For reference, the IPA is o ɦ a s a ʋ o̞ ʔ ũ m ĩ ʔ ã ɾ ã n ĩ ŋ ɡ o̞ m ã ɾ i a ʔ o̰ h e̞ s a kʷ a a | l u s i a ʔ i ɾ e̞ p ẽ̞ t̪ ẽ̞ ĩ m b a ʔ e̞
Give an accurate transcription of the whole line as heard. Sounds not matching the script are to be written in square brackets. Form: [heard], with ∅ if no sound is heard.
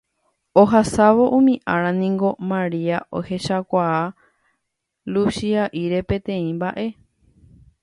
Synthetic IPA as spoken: o ɦ a s a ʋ o̞ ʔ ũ m ĩ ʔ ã ɾ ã n ĩ ŋ ɡ o̞ m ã ɾ i a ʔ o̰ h e̞ [ʃ] a kʷ a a | l u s i a ʔ i ɾ e̞ p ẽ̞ t̪ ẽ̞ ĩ m b a ʔ e̞